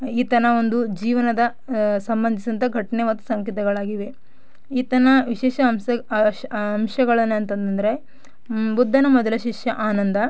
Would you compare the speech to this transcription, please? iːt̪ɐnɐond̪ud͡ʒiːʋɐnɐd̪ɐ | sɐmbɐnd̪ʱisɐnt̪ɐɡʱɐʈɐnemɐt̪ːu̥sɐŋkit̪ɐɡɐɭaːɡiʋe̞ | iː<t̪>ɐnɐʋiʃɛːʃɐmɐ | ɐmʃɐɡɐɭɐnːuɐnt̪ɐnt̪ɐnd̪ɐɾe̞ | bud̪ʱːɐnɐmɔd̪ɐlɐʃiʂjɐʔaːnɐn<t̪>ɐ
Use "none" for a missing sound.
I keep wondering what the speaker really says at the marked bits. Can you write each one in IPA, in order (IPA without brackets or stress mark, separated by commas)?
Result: t̪, d̪